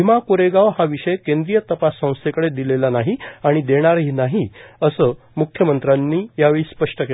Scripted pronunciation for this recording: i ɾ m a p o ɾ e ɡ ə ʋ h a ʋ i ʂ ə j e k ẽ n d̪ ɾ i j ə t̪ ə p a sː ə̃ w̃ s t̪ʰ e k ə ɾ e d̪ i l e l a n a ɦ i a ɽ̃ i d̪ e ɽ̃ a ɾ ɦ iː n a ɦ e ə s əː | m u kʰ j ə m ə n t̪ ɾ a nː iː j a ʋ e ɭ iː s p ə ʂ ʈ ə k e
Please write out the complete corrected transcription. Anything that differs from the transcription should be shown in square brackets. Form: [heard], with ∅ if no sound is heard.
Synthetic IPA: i [∅] m a [k] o ɾ e ɡ [a] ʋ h a ʋ i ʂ ə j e k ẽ n d̪ ɾ i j ə t̪ ə p a sː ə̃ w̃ s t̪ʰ e k ə [ɽ] e d̪ i l e l a n a ɦ i a ɽ̃ i d̪ e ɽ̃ a ɾ ɦ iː n a ɦ [i] ə s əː | m u kʰ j ə m ə n t̪ ɾ a nː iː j a ʋ e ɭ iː s p ə ʂ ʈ ə k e